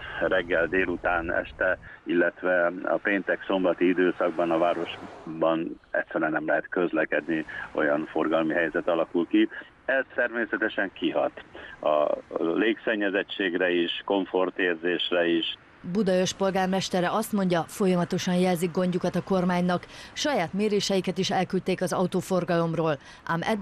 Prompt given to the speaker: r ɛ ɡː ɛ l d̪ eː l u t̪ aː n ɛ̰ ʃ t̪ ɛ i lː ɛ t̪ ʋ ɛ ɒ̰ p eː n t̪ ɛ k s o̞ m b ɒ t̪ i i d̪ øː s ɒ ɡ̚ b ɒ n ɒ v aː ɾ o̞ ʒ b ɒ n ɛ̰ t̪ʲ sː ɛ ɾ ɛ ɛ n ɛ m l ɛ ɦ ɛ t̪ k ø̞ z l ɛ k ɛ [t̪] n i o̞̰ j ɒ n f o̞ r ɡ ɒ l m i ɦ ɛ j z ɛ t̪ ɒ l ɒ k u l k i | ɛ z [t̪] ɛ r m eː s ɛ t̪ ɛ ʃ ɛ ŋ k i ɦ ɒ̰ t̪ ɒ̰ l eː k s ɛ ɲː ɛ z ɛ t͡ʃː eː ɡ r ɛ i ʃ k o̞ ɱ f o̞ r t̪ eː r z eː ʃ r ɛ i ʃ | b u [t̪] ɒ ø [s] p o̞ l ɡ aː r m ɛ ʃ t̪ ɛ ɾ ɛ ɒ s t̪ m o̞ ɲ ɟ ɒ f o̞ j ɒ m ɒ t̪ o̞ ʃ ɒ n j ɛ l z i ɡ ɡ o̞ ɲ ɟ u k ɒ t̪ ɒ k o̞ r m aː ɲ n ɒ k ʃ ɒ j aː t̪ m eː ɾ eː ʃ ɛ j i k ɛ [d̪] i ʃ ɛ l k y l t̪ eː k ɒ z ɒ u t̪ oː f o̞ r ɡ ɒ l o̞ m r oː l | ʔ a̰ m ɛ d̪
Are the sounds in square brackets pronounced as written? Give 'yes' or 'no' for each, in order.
no, yes, no, no, no

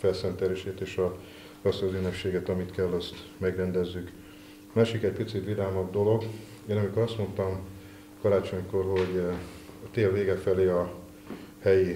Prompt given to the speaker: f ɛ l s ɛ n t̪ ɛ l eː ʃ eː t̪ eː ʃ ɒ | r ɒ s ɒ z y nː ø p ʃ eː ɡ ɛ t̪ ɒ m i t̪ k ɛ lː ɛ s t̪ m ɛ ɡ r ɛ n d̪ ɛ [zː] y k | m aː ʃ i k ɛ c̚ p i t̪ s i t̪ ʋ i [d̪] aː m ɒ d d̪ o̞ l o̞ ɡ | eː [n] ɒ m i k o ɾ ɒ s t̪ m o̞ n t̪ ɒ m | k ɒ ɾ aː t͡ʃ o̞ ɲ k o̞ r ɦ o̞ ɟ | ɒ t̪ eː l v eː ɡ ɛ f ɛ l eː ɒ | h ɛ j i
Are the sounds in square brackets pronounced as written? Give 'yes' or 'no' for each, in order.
yes, yes, yes

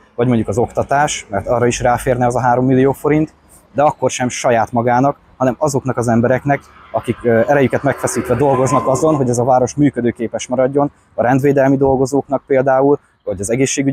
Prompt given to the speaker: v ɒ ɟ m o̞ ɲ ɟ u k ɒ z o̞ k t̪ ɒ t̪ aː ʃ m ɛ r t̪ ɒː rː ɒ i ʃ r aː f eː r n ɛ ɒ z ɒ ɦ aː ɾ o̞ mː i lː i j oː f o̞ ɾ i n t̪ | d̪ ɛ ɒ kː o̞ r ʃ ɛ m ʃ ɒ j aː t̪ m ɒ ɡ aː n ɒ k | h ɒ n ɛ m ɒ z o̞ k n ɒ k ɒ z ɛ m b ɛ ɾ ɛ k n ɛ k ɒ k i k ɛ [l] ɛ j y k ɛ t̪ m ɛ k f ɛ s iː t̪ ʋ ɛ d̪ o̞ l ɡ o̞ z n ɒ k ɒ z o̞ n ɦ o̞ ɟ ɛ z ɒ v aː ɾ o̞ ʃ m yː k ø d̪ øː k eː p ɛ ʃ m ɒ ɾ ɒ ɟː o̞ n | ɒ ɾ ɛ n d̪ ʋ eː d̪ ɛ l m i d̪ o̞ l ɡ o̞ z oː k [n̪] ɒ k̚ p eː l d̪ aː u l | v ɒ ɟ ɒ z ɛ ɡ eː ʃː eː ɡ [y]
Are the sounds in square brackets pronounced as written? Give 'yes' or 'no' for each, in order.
no, yes, yes

